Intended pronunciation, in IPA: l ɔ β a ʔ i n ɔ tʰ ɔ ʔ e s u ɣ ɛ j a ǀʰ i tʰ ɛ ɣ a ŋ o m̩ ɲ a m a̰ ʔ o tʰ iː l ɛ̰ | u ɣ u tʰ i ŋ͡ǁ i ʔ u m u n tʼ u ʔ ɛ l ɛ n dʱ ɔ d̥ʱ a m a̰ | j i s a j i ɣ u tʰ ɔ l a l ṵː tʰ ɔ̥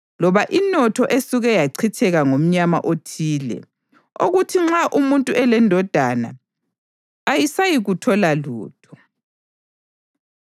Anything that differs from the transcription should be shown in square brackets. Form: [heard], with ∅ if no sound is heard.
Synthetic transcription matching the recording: l ɔ β a ʔ i n ɔ tʰ ɔ ʔ e s u ɣ ɛ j a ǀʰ i tʰ ɛ ɣ a ŋ o m̩ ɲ a m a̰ ʔ o tʰ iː l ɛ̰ | [o] ɣ u tʰ i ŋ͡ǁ [a] ʔ u m u n tʼ u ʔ ɛ l ɛ n dʱ ɔ d̥ʱ a [n] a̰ | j i s a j i ɣ u tʰ ɔ l a l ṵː tʰ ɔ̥